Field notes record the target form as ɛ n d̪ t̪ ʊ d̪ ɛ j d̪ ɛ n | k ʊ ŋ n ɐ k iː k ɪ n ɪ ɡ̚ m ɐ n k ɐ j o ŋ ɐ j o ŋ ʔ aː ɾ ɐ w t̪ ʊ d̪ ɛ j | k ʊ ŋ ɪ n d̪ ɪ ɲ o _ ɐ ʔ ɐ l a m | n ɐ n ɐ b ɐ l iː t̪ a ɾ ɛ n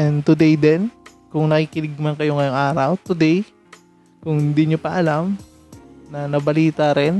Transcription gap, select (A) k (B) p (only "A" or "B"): B